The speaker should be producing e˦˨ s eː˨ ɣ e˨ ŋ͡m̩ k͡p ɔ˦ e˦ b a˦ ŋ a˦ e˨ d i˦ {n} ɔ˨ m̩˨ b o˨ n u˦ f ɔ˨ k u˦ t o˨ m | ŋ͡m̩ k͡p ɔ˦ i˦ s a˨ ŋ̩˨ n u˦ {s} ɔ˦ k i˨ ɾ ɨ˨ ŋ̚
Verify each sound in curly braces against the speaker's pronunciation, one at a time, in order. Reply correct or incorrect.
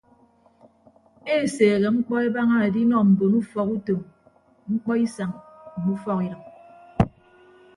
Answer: correct, incorrect: f

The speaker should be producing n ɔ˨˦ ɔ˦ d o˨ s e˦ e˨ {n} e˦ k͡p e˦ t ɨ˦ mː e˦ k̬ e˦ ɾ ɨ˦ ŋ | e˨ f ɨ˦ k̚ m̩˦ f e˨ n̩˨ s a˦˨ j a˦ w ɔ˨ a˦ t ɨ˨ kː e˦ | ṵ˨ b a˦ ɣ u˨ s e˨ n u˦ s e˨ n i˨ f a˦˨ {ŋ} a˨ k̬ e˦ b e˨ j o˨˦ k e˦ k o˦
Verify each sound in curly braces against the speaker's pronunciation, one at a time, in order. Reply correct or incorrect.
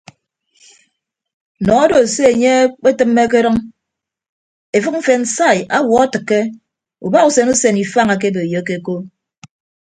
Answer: incorrect: ɲ, correct

